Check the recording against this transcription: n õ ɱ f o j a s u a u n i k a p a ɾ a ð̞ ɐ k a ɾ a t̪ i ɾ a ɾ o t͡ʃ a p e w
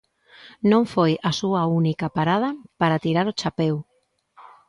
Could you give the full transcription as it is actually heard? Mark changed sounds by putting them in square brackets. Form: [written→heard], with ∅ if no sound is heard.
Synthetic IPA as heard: n õ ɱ f o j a s u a u n i k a p a ɾ a ð̞ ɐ [k→p] a ɾ a t̪ i ɾ a ɾ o t͡ʃ a p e w